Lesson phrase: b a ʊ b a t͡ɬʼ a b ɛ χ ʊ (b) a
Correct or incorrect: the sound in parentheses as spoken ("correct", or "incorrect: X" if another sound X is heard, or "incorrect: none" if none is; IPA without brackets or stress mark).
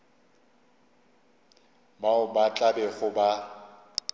correct